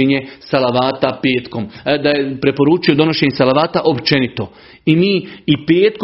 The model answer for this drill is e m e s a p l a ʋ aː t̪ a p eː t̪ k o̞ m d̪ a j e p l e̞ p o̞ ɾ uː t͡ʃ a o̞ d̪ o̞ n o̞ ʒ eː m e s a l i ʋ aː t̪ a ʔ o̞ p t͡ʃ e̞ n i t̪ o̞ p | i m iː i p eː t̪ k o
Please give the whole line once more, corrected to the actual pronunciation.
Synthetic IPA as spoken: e ɲ e s a l a ʋ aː t̪ a p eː t̪ k o̞ m d̪ a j e p ɾ e̞ p o̞ ɾ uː t͡ʃ i o̞ d̪ o̞ n o̞ ʃ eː ɲ e s a l a ʋ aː t̪ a ʔ o̞ p t͡ʃ e̞ n i t̪ o̞ | i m iː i p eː t̪ k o